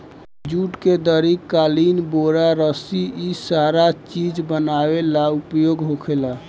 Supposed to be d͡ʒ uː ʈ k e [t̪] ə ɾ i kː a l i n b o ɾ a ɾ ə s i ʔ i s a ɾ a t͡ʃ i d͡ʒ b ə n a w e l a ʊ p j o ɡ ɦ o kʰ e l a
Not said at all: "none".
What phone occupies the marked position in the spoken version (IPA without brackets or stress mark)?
d̪